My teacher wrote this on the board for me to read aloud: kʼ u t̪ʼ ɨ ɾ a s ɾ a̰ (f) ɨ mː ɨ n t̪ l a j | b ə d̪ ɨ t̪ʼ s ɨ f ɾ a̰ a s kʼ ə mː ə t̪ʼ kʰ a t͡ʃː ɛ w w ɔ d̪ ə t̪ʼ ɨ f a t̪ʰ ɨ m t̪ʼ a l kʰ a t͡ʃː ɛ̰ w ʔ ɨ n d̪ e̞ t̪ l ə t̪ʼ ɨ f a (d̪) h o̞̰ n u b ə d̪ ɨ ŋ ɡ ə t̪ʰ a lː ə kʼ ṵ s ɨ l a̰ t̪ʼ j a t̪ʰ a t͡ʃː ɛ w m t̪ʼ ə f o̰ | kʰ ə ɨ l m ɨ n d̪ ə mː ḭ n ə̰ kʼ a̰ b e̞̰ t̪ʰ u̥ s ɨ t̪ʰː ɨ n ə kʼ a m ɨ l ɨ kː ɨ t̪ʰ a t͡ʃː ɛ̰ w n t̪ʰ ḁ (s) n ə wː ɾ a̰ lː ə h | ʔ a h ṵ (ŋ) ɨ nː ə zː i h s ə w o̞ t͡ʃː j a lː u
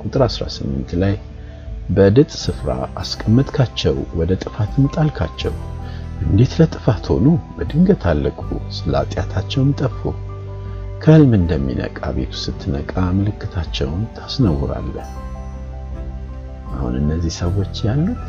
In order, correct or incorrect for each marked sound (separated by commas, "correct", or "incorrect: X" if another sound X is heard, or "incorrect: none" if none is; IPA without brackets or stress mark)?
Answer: incorrect: s, incorrect: t̪, correct, incorrect: n